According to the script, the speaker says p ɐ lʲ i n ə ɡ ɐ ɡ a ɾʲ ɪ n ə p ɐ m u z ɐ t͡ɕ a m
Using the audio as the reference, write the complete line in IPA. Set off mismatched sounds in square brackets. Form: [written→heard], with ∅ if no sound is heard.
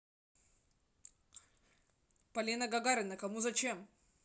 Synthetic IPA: p ɐ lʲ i n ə ɡ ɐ ɡ a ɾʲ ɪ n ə [p→k] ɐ m u z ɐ t͡ɕ [a→e] m